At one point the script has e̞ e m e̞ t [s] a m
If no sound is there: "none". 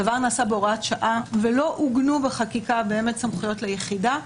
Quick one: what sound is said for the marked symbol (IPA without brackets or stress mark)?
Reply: s